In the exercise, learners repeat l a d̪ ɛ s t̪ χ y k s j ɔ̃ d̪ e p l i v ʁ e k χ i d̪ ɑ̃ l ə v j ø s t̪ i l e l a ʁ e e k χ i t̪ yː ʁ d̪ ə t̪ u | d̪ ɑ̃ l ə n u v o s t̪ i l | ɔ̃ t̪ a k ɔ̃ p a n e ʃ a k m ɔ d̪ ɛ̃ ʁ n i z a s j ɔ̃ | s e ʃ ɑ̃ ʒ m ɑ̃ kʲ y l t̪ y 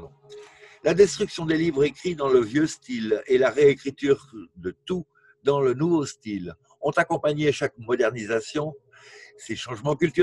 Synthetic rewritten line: l a d̪ ɛ s t̪ χ y k s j ɔ̃ d̪ e l i v ʁ e k χ i d̪ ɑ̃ l ə v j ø s t̪ i l e l a ʁ e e k χ i t̪ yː ʁ d̪ ə t̪ u | d̪ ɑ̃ l ə n u v o s t̪ i l | ɔ̃ t̪ a k ɔ̃ p a ɲ e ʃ a k m ɔ d̪ ɛ ʁ n i z a s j ɔ̃ | s e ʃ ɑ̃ ʒ m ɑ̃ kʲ y l t̪ y